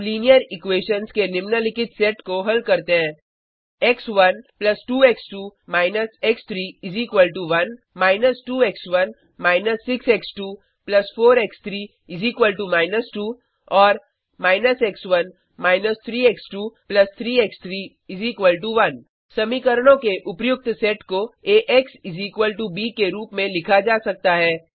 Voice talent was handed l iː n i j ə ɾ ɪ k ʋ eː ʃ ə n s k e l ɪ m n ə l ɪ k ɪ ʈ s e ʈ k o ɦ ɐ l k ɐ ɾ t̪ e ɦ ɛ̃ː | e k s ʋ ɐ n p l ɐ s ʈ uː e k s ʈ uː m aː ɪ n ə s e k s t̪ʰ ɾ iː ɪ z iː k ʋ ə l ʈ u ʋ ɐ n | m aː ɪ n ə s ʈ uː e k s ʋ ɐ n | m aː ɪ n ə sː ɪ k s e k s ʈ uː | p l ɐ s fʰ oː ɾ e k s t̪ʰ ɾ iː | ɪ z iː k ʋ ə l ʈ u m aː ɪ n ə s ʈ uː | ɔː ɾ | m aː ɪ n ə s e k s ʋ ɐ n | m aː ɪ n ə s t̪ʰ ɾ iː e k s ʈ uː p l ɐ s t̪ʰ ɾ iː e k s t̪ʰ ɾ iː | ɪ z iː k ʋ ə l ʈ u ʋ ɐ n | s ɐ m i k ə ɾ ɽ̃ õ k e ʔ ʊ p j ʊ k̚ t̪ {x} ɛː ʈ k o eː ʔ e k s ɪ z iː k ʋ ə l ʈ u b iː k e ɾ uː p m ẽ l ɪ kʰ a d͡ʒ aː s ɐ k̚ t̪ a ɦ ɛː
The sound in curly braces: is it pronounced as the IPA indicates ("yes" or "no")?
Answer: no